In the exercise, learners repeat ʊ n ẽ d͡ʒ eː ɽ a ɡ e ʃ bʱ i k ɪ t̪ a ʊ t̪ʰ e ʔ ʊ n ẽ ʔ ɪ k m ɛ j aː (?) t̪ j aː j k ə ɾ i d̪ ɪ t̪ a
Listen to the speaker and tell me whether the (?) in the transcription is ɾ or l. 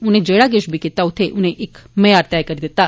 ɾ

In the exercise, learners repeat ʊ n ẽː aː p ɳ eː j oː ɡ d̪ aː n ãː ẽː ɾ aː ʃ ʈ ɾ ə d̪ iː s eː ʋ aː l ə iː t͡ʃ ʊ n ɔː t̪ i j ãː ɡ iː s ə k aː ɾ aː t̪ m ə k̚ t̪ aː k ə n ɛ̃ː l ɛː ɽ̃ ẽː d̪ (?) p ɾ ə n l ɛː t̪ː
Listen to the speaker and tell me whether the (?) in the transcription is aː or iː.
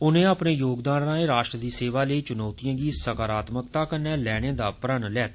aː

